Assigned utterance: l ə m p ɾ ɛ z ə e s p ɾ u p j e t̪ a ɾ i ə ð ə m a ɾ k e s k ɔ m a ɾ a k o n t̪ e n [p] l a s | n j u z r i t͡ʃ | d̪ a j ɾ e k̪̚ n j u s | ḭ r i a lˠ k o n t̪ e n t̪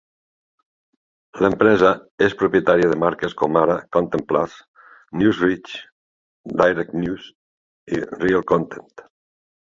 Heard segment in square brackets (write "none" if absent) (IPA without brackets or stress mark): p